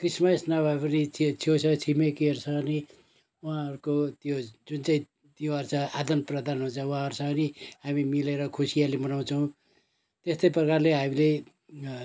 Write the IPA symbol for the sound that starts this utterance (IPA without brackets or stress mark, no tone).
k